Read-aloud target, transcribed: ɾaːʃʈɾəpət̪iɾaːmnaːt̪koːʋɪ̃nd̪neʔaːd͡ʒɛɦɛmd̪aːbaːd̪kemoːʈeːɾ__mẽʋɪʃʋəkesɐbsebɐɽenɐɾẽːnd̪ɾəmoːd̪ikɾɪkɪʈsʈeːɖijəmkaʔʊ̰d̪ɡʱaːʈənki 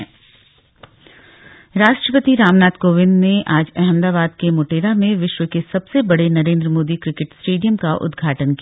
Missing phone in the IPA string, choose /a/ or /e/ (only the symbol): a